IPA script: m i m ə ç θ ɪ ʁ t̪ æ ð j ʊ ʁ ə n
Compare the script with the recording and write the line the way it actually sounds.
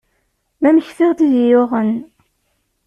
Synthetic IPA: m æ m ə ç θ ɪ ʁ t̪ i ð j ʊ ʁ ə n